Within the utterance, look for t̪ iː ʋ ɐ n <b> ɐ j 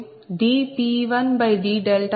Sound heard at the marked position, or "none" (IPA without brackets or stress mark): b